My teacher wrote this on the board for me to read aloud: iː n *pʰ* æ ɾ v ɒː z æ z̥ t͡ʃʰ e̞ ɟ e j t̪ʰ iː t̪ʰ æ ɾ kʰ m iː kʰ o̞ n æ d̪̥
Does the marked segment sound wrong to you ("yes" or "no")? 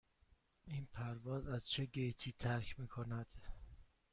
no